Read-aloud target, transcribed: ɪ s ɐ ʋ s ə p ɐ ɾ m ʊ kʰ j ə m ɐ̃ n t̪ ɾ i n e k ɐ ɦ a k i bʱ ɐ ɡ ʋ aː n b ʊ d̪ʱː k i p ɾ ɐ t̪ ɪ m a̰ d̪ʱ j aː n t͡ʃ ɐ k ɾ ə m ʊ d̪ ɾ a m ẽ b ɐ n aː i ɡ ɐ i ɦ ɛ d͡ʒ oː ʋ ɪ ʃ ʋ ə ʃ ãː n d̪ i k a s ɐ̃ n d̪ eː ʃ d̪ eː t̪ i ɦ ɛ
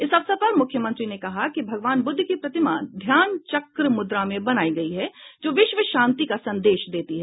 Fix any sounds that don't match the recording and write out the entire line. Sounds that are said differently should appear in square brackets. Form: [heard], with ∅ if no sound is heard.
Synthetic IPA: ɪ s ɐ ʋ s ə p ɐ ɾ m ʊ kʰ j ə m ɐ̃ n t̪ ɾ i n e k ɐ ɦ a k i bʱ ɐ ɡ ʋ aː n b ʊ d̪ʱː k i p ɾ ɐ t̪ ɪ m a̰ d̪ʱ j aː n t͡ʃ ɐ k ɾ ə m ʊ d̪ ɾ a m ẽ b ɐ n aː i ɡ ɐ i ɦ ɛ d͡ʒ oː ʋ ɪ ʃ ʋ ə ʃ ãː n [t̪] i k a s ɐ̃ n d̪ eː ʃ d̪ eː t̪ i ɦ ɛ